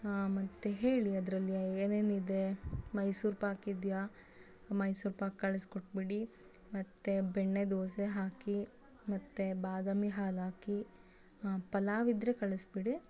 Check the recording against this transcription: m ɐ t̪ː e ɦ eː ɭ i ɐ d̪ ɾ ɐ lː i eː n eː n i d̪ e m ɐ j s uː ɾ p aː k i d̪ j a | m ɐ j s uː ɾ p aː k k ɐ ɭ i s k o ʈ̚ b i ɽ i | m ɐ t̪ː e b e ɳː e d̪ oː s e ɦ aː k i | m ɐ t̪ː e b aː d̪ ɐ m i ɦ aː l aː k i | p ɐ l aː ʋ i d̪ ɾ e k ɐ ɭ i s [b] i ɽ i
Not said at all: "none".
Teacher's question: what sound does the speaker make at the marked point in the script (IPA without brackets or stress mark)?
b